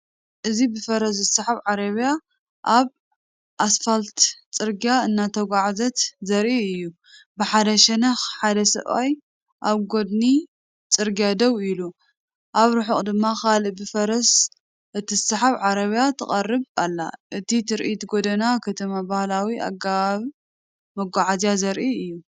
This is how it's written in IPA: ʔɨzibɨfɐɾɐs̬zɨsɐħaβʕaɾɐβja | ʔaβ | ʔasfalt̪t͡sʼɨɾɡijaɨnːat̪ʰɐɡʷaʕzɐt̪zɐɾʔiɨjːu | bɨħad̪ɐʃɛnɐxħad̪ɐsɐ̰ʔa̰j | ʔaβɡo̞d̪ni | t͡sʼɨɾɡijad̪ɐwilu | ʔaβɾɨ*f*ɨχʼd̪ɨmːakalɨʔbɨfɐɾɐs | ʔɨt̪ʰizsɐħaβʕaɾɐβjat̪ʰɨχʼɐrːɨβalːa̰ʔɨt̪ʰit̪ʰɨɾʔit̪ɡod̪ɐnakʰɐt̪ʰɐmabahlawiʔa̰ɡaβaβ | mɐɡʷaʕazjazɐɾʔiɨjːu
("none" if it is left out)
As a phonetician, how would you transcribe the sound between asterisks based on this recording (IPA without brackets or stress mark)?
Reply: ħ